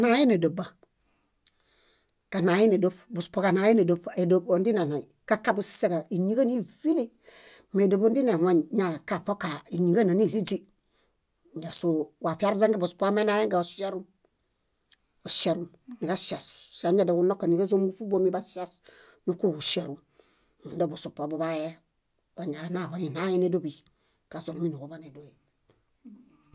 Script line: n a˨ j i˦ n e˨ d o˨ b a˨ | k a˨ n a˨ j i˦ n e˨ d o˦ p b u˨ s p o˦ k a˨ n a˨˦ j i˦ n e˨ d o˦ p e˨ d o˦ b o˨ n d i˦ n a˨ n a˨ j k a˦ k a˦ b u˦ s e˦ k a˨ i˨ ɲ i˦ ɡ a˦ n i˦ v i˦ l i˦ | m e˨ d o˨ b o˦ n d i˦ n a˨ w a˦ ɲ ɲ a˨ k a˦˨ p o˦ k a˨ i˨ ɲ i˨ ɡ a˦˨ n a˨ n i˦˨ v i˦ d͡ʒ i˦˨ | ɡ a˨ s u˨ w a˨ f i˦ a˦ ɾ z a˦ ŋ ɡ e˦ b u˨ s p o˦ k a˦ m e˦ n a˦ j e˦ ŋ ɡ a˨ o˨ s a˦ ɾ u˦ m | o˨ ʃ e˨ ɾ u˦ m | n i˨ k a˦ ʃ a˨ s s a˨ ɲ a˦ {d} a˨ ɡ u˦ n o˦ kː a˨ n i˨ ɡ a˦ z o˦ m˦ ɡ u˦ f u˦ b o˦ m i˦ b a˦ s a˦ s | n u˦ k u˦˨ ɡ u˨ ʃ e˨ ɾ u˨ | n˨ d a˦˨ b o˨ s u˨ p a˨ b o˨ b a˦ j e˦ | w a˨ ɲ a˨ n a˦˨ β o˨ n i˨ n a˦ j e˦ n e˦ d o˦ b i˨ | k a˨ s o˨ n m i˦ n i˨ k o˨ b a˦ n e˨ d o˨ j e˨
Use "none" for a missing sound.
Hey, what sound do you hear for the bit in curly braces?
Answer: d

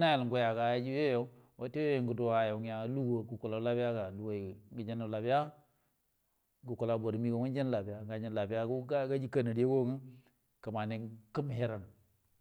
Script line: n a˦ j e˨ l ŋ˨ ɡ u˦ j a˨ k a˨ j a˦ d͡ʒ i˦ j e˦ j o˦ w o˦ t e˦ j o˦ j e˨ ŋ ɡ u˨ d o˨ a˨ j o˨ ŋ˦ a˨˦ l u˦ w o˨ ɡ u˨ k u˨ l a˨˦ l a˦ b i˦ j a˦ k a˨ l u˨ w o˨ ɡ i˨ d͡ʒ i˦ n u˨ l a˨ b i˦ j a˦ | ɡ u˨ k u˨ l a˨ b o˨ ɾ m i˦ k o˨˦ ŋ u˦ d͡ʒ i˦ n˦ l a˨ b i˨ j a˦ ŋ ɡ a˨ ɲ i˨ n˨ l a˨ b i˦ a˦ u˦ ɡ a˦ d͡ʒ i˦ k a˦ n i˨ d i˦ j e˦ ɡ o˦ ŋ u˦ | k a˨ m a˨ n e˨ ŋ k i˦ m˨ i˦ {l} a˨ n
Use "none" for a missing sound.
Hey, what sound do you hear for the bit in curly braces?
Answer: ɾ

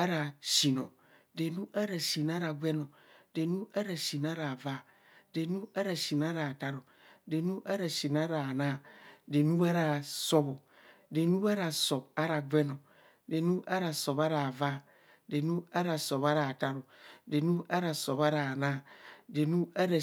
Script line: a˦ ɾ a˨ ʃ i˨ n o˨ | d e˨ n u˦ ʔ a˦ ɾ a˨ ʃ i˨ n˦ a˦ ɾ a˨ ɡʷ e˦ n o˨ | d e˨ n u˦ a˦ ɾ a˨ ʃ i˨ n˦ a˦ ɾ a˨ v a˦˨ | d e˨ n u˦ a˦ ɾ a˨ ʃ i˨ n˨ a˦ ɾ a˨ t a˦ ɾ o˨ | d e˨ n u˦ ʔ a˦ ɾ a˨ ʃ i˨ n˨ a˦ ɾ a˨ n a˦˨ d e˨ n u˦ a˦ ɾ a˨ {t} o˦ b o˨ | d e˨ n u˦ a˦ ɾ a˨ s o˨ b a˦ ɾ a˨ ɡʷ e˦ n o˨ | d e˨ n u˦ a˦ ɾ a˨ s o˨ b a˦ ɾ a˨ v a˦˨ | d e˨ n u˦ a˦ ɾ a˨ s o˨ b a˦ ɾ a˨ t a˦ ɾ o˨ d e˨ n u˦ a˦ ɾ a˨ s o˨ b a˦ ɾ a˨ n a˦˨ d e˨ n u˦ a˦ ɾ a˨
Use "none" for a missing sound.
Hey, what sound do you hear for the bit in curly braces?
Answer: s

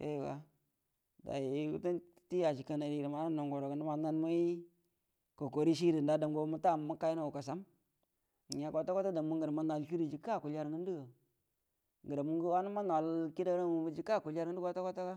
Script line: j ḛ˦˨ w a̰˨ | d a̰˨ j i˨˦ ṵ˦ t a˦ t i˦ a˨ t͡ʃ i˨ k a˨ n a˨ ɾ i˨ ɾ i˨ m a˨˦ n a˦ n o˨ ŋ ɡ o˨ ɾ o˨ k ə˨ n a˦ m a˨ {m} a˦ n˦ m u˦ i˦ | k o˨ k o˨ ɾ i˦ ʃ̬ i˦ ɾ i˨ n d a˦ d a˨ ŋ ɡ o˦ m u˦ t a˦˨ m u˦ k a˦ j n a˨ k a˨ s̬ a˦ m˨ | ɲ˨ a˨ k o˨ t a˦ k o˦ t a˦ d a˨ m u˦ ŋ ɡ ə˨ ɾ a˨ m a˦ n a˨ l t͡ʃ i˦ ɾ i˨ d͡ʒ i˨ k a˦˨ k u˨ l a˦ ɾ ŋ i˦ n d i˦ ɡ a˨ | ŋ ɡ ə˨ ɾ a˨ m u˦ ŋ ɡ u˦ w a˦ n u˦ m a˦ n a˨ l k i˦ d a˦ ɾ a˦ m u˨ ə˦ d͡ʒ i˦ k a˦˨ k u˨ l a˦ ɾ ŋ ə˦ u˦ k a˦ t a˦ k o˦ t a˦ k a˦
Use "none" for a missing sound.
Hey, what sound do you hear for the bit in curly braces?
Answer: n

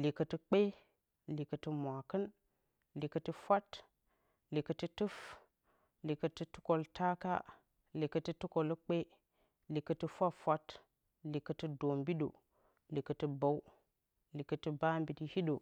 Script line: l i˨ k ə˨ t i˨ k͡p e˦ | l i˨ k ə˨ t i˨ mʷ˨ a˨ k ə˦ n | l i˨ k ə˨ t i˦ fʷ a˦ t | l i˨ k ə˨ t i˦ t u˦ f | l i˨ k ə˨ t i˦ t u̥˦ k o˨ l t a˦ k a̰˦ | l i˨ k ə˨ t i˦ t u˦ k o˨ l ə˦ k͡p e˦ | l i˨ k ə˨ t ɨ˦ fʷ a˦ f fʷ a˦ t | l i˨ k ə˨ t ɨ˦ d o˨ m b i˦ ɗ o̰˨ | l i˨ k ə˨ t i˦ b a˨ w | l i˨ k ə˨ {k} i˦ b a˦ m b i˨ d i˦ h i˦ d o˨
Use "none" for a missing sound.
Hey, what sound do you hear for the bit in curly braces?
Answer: t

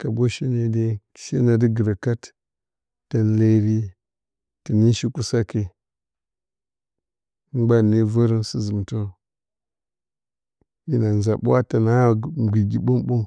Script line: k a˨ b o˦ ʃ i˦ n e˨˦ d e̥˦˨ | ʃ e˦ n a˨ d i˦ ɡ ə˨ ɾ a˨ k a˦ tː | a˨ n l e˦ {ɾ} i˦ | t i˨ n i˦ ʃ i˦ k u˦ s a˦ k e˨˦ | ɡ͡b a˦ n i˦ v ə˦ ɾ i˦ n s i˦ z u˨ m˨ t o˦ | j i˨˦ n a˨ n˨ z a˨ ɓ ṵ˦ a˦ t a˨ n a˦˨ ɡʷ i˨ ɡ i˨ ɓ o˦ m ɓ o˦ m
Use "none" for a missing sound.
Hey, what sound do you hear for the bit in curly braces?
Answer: ɾ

